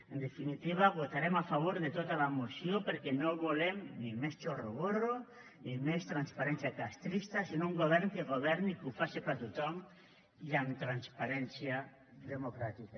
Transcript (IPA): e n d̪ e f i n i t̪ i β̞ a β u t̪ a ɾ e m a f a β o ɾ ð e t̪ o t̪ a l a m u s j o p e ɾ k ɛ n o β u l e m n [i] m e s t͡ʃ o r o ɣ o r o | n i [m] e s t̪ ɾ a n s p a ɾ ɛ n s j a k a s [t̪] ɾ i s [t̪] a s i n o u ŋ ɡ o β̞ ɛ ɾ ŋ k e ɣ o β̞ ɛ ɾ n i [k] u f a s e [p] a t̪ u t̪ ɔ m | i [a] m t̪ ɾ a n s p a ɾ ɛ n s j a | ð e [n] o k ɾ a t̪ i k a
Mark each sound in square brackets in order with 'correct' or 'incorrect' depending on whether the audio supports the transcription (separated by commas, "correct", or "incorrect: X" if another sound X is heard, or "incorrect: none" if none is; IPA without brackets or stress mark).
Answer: correct, correct, correct, correct, correct, correct, correct, incorrect: m